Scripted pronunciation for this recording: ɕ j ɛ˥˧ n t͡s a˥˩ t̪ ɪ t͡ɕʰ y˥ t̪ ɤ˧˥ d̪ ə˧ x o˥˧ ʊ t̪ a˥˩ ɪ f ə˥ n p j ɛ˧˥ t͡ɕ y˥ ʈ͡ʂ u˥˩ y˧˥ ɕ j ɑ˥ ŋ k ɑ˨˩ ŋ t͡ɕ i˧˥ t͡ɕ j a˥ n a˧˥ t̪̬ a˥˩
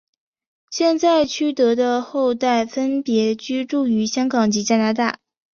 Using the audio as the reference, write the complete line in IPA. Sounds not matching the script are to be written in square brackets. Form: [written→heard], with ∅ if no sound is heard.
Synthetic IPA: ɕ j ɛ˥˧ n t͡s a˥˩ [t̪→∅] ɪ t͡ɕʰ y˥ t̪ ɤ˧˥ d̪ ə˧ x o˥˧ ʊ t̪ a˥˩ ɪ f ə˥ n p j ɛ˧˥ t͡ɕ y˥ ʈ͡ʂ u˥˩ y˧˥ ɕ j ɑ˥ ŋ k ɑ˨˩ ŋ t͡ɕ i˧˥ t͡ɕ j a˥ n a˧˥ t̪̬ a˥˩